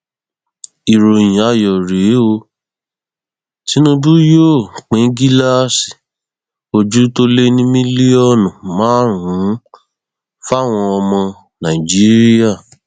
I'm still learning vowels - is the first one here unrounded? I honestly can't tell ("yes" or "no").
yes